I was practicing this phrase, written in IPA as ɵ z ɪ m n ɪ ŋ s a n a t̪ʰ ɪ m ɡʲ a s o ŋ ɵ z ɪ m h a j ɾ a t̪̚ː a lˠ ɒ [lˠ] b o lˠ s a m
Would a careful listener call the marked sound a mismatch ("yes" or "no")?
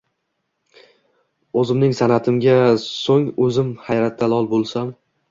no